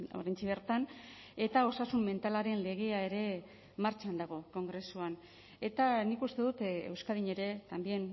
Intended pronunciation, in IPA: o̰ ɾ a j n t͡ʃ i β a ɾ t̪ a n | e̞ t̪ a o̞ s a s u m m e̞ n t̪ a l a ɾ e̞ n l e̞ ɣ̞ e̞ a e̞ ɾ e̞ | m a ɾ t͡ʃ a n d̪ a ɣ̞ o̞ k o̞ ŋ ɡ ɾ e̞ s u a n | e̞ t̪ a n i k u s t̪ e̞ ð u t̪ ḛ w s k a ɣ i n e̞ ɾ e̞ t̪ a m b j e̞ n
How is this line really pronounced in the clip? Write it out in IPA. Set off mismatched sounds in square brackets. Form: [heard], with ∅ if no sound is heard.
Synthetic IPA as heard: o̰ ɾ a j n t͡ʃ i β [e] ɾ t̪ a n | e̞ t̪ a o̞ s a s u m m e̞ n t̪ a l a ɾ e̞ n l e̞ ɣ̞ e̞ a e̞ ɾ e̞ | m a ɾ t͡ʃ a n d̪ a ɣ̞ o̞ k o̞ ŋ ɡ ɾ e̞ s u a n | e̞ t̪ a n i k u s t̪ e̞ ð u t̪ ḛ w s k a [ð] i [ɲ] e̞ ɾ e̞ t̪ a m b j e̞ n